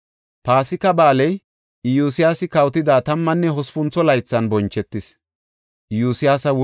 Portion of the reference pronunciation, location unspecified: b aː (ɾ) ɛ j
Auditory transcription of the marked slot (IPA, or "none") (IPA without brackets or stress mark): l